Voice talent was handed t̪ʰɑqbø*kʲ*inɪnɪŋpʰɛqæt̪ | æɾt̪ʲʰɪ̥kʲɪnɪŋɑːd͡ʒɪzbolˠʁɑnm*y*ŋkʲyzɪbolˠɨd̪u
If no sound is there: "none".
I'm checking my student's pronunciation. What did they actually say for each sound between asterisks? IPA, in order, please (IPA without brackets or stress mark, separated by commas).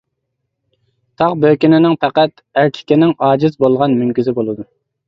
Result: kʲ, y